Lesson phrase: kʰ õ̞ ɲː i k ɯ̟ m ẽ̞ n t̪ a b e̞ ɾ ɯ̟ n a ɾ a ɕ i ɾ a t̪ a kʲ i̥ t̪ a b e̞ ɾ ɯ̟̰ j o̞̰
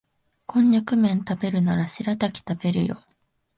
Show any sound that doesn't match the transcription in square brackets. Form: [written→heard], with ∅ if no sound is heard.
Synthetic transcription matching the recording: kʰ õ̞ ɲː [i→a] k ɯ̟ m ẽ̞ n t̪ a b e̞ ɾ ɯ̟ n a ɾ a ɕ i ɾ a t̪ a kʲ i̥ t̪ a b e̞ ɾ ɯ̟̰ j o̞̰